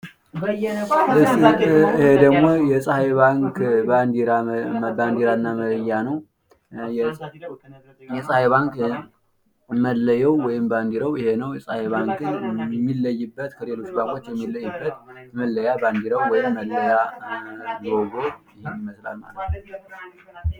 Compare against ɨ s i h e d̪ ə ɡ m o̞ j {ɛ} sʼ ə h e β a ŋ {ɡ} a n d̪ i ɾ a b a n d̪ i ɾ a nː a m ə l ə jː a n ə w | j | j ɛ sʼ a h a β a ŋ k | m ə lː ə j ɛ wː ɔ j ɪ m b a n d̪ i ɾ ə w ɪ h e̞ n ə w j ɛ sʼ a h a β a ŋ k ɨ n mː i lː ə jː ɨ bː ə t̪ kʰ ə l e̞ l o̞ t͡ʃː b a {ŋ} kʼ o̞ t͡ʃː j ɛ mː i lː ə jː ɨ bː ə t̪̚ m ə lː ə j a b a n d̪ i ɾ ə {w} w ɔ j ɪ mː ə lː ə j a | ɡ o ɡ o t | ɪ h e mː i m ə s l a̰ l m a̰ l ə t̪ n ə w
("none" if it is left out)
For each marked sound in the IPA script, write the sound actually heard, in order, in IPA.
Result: ɛ, k, ŋ, w

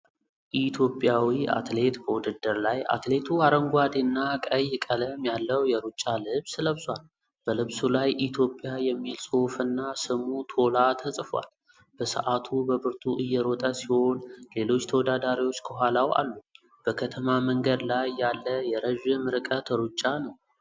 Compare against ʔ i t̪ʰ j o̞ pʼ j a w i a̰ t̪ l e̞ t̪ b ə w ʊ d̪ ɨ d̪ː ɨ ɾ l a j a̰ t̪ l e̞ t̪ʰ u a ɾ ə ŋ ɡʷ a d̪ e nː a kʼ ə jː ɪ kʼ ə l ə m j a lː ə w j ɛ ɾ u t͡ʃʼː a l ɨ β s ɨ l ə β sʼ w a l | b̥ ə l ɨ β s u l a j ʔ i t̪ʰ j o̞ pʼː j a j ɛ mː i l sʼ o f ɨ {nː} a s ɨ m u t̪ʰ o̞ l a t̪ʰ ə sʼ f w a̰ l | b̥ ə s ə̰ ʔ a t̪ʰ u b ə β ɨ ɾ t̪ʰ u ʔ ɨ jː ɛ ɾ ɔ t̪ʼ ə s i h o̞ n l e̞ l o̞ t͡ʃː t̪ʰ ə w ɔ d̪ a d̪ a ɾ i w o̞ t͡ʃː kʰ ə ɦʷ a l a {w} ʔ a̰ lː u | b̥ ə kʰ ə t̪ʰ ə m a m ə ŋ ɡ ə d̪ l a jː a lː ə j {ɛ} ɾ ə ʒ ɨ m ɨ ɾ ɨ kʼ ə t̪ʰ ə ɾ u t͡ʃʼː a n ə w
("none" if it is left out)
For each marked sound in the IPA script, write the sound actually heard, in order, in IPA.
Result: nː, w, ɛ

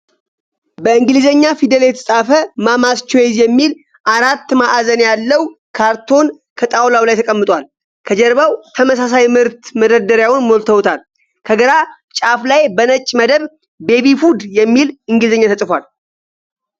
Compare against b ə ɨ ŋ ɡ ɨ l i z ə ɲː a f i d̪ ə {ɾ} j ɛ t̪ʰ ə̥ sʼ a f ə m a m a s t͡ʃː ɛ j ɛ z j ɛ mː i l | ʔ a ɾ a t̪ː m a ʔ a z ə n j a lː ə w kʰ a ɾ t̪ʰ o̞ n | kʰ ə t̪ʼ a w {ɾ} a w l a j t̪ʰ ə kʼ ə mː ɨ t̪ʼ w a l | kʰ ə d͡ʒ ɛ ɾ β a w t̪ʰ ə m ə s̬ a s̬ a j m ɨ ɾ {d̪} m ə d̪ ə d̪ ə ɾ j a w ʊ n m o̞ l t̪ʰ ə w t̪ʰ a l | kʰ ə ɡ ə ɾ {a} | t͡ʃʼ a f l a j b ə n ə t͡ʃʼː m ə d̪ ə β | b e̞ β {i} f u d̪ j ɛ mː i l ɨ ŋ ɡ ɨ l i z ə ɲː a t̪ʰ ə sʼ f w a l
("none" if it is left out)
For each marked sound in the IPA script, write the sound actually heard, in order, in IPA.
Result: l, l, t̪, a, i

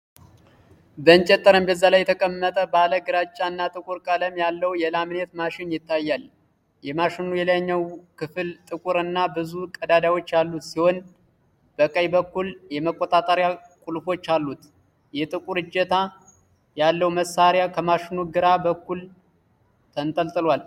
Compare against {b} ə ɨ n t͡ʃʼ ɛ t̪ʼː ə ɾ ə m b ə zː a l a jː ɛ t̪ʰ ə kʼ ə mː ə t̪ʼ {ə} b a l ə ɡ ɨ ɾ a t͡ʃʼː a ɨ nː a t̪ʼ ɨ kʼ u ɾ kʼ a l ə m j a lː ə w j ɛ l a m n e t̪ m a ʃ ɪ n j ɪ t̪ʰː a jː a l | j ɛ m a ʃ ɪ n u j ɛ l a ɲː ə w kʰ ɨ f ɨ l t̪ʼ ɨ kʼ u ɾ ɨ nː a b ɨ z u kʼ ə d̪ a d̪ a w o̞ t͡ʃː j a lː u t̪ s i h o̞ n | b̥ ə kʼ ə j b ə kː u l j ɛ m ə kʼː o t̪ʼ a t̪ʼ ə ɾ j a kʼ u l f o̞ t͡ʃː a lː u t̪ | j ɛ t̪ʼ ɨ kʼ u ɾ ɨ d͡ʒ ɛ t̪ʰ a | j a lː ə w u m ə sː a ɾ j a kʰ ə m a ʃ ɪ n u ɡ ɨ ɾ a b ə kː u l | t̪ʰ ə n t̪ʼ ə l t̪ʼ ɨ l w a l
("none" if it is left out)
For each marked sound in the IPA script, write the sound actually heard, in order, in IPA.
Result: b, ə

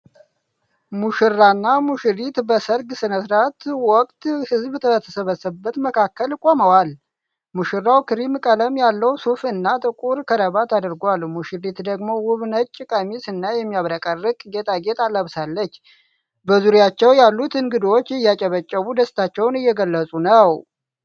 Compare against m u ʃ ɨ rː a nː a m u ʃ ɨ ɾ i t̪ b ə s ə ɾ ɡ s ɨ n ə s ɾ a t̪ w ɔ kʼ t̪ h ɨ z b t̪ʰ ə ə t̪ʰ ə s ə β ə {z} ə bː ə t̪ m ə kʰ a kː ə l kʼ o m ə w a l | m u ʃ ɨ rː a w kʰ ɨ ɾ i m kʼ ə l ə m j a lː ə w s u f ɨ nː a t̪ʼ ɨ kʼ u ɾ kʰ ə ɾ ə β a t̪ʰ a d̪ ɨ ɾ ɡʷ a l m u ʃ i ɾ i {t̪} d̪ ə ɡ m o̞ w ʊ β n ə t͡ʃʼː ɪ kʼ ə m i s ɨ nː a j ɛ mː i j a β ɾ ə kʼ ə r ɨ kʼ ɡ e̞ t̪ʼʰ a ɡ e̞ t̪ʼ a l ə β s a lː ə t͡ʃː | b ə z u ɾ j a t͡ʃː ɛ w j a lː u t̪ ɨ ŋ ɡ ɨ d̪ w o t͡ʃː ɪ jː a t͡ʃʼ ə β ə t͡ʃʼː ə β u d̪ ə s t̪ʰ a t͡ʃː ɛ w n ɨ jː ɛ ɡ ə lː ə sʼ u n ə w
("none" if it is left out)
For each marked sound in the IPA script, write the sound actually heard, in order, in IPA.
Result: s, t̪

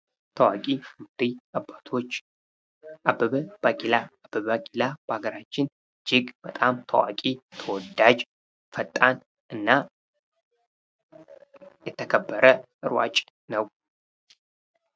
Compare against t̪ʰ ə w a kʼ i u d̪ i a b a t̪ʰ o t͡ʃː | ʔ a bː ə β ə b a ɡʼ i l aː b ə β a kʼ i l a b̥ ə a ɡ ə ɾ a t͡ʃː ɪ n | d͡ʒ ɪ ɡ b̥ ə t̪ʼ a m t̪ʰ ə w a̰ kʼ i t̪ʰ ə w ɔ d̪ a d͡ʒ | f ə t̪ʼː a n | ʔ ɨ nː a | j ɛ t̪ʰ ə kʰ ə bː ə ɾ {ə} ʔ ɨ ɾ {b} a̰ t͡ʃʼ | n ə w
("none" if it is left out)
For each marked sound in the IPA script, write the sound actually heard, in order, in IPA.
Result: ə, w

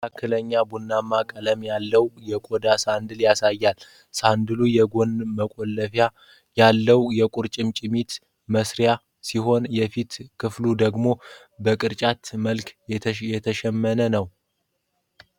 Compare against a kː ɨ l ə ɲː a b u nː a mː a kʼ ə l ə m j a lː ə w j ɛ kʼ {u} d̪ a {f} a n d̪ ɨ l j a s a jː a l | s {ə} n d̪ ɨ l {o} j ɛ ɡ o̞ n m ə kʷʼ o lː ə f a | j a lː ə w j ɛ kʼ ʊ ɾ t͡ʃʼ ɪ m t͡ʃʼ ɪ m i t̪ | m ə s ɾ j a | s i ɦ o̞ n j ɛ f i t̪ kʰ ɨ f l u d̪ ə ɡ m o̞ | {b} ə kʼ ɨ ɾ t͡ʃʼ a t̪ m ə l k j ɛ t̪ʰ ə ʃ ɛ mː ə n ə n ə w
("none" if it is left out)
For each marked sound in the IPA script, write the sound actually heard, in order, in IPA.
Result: o, s, a, u, b

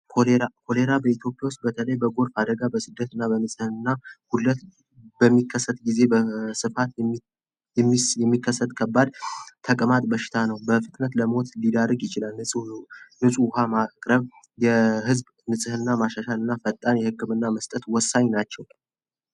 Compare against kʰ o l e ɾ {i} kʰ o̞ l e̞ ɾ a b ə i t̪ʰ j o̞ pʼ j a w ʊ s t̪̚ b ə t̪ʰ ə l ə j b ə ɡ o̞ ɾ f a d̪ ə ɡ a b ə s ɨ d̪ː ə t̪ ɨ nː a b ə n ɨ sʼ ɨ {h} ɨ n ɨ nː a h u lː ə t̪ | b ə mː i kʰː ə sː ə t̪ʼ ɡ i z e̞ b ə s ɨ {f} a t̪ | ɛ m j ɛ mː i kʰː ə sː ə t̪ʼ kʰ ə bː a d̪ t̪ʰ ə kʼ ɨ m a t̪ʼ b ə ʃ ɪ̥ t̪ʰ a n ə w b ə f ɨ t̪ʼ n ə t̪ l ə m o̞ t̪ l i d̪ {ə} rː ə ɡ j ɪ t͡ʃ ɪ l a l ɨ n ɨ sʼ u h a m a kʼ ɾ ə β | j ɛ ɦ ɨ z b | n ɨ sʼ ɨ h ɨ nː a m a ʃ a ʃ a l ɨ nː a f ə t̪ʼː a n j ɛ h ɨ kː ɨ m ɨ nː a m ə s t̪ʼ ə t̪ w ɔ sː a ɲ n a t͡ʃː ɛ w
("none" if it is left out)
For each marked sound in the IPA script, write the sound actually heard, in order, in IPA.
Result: a, h, f, a

